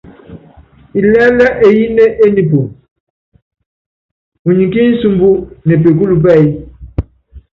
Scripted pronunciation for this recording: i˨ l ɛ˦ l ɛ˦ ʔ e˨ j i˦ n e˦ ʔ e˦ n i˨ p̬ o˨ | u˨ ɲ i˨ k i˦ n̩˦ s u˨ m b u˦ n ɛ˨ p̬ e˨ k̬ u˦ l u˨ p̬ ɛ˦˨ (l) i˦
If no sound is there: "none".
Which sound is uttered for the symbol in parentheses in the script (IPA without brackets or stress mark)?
none